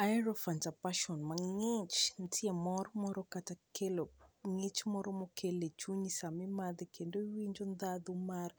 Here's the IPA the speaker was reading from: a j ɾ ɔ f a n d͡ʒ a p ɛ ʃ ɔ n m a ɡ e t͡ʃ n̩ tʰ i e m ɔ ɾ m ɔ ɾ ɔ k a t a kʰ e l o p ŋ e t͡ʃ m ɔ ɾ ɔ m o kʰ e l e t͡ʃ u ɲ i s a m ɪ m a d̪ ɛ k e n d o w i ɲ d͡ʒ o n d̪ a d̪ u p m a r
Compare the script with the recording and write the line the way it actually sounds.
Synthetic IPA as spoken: a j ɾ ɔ f a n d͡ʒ a p a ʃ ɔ n m a ŋ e t͡ʃ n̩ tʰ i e m ɔ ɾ m ɔ ɾ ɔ k a t a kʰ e l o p ŋ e t͡ʃ m ɔ ɾ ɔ m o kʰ e l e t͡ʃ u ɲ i s a m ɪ m a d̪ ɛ k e n d o w i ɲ d͡ʒ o n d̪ a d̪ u m a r